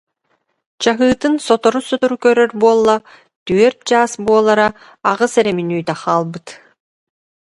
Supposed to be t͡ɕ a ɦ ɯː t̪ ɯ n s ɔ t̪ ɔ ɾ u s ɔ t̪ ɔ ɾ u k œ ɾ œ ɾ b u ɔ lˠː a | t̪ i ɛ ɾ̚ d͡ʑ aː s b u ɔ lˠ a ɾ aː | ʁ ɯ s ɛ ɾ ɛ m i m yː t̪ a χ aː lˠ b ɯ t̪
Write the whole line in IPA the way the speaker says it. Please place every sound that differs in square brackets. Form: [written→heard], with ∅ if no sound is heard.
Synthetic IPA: t͡ɕ a ɦ ɯː t̪ ɯ n s ɔ t̪ ɔ ɾ u s ɔ t̪ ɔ ɾ u k œ ɾ œ ɾ b u ɔ lˠː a | t̪ [i→y] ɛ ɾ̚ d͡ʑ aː s b u ɔ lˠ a ɾ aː | ʁ ɯ s ɛ ɾ ɛ m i [m→n] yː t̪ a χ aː lˠ b ɯ t̪